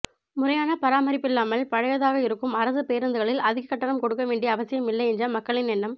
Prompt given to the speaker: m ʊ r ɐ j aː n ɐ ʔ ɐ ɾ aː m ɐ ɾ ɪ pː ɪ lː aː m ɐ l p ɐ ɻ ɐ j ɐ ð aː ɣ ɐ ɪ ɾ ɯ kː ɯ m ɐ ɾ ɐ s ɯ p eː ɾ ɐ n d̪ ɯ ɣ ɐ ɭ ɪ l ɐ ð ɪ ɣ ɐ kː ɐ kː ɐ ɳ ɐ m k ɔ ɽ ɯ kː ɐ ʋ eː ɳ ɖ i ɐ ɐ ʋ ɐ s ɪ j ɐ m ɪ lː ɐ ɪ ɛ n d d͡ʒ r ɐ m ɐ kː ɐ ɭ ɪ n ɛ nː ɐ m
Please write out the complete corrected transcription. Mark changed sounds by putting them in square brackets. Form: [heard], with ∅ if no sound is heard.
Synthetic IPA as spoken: m ʊ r ɐ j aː n ɐ [p] ɐ ɾ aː m ɐ ɾ ɪ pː ɪ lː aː m ɐ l p ɐ ɻ ɐ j ɐ ð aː ɣ ɐ ɪ ɾ ɯ kː ɯ m ɐ ɾ ɐ s ɯ p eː ɾ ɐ n d̪ ɯ ɣ ɐ ɭ ɪ l ɐ ð ɪ ɣ ɐ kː ɐ [ʈː] ɐ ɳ ɐ m k ɔ ɽ ɯ kː ɐ ʋ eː ɳ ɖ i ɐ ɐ ʋ ɐ s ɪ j ɐ m ɪ lː ɐ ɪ ɛ n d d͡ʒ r ɐ m ɐ kː ɐ ɭ ɪ n ɛ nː ɐ m